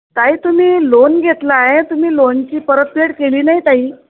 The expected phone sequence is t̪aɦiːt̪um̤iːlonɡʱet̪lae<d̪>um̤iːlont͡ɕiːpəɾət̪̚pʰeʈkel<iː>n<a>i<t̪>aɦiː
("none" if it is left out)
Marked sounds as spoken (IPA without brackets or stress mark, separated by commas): t̪, iː, a, t̪